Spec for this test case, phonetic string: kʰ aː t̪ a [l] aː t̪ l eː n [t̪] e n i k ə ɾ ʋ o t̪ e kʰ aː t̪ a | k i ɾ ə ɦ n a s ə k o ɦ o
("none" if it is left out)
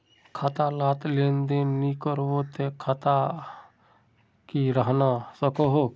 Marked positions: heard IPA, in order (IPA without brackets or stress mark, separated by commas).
l, d̪